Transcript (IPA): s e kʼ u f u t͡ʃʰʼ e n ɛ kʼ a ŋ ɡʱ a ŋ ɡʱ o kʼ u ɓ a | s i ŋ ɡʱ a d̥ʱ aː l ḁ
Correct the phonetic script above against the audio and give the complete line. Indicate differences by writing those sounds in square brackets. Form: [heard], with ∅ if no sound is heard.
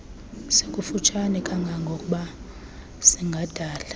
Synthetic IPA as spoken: s e kʼ u f u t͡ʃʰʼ [a] n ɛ kʼ a ŋ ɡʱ a ŋ ɡʱ o kʼ u ɓ a | s i ŋ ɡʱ a d̥ʱ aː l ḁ